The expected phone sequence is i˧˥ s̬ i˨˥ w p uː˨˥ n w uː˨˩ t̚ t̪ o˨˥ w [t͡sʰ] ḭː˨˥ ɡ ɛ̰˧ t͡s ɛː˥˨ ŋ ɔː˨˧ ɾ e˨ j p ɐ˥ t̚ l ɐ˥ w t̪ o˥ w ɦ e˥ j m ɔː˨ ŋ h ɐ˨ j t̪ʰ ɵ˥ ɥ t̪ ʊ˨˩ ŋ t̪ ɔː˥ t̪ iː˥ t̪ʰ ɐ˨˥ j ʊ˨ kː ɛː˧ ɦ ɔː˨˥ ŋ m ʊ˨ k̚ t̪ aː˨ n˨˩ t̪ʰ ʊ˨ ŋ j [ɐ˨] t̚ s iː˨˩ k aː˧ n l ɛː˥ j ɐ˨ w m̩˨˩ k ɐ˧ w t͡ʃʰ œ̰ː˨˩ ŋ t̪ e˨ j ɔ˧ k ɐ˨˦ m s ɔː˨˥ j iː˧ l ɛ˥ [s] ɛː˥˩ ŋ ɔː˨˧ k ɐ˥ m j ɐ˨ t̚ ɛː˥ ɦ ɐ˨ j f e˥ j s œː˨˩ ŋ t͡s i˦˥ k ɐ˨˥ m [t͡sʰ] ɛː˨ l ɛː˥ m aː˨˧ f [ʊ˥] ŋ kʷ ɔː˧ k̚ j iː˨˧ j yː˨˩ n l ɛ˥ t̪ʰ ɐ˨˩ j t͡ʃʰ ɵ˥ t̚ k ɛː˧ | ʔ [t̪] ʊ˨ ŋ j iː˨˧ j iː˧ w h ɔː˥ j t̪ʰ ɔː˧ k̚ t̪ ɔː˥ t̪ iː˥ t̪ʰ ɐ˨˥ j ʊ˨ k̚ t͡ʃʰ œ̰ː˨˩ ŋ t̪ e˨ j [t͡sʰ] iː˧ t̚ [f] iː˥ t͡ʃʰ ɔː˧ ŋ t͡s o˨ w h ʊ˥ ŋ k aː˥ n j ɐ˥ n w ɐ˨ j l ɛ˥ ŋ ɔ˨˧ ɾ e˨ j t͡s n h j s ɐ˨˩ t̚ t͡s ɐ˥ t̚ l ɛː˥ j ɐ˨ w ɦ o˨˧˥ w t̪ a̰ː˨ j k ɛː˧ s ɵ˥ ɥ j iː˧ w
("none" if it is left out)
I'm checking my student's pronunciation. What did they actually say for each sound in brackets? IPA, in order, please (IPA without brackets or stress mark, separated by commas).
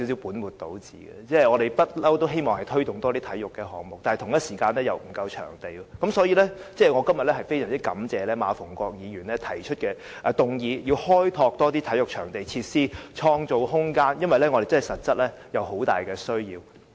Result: t͡s, ɐ˥, t͡s, t͡s, ʊ˨˩, t̪, t͡sʰ, s